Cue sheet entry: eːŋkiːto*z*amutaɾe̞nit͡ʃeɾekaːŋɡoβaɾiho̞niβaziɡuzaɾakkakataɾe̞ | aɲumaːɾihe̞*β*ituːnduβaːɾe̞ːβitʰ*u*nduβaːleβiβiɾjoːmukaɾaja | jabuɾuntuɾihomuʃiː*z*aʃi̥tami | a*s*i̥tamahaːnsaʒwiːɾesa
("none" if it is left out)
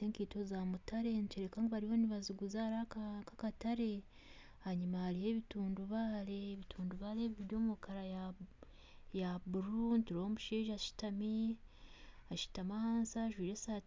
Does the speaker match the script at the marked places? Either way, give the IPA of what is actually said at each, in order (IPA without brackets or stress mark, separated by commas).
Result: z, β, uː, ʒ, ʃ